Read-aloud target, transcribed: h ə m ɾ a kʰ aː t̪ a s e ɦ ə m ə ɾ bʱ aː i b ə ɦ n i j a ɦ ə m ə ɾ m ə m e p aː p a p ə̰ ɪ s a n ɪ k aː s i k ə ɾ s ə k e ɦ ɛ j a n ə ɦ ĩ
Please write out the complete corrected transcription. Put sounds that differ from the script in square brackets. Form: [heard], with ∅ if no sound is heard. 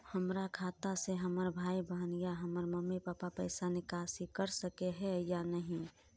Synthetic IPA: h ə m ɾ a kʰ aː t̪ a s e ɦ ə m ə ɾ bʱ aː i b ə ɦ n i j a ɦ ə m ə ɾ m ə m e p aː p a p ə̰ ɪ s a n ɪ k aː s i k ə ɾ s ə k e ɦ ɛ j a n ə ɦ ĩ